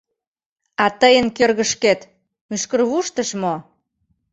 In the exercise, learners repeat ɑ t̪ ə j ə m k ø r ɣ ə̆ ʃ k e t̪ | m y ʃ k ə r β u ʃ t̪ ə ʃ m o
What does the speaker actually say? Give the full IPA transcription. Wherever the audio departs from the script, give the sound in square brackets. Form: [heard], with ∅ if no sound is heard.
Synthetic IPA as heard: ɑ t̪ ə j ə [n] k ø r ɣ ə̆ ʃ k e t̪ | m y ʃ k ə r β u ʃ t̪ ə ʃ m o